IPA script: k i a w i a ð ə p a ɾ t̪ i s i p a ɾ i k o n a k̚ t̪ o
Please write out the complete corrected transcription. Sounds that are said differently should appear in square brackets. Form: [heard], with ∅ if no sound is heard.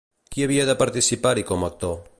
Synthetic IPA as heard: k i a [β] i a ð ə p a ɾ t̪ i s i p a ɾ i k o [m] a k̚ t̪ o

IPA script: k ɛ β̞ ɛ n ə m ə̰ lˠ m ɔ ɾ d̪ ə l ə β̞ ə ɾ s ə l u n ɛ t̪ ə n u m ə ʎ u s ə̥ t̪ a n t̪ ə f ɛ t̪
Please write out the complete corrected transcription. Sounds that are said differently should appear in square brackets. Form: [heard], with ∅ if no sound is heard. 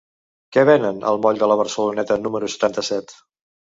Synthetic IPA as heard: k ɛ β̞ ɛ n ə [n] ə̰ lˠ m ɔ [ʎ] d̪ ə l ə β̞ ə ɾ s ə l u n ɛ t̪ ə n u m ə [ɾ] u s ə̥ t̪ a n t̪ ə [s] ɛ t̪

